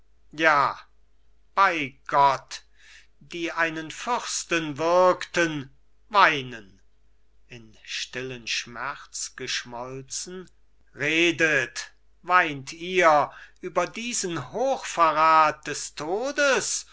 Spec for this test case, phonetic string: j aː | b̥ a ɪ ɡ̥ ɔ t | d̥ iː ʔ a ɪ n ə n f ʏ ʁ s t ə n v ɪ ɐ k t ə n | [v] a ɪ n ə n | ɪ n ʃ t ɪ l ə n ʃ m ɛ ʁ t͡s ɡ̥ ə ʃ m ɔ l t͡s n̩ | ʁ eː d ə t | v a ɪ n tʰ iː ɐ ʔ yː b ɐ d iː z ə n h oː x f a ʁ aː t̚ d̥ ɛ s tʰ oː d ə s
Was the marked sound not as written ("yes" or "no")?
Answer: no